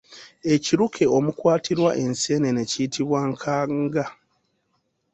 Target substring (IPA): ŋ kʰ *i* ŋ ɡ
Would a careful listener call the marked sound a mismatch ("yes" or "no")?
yes